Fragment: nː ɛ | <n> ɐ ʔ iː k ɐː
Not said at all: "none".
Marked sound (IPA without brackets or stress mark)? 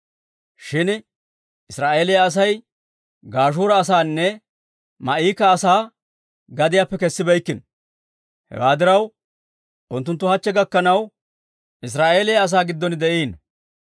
m